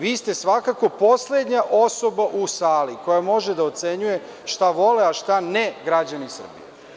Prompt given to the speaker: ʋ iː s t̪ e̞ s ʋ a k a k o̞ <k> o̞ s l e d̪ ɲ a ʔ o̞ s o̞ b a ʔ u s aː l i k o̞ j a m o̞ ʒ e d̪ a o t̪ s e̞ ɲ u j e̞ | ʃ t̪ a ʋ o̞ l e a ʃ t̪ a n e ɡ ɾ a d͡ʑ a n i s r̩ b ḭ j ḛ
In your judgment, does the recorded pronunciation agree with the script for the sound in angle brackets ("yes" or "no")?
no